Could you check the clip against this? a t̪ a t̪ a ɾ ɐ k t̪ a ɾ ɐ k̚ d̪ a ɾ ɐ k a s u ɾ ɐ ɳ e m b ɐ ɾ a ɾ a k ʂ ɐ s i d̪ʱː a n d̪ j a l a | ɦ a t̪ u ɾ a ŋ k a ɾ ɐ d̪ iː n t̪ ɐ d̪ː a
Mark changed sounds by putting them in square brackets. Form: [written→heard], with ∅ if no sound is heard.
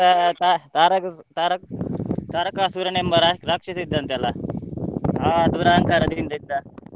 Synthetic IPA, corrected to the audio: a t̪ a t̪ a ɾ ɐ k t̪ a ɾ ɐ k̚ [d̪→t̪] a ɾ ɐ k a s u ɾ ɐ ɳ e m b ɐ ɾ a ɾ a k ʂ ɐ s i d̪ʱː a n [d̪→t̪] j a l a | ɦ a [t̪→d̪] u ɾ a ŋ k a ɾ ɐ d̪ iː n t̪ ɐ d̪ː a